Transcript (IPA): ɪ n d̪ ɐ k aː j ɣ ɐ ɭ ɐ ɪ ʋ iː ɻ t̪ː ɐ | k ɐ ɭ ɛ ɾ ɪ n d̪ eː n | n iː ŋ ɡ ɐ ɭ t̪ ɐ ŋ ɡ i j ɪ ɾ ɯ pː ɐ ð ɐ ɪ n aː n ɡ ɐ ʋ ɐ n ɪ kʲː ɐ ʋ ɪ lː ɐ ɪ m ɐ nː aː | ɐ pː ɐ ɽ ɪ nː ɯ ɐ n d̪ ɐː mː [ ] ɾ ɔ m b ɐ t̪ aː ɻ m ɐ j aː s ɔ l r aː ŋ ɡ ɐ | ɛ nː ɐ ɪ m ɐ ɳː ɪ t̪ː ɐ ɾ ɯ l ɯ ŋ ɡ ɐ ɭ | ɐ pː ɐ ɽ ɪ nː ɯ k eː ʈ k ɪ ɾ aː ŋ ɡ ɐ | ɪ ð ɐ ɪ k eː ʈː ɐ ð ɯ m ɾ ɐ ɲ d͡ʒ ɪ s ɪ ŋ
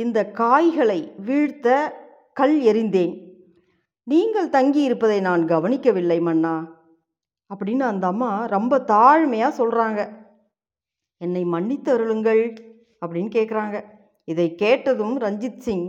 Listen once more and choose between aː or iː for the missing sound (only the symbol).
aː